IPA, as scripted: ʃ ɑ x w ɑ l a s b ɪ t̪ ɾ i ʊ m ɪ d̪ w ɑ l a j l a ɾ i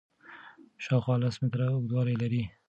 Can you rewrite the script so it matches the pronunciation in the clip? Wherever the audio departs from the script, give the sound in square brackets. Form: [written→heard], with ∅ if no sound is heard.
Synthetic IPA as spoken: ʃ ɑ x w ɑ l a s [b→m] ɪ t̪ ɾ [i→a] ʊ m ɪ d̪ w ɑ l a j l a ɾ i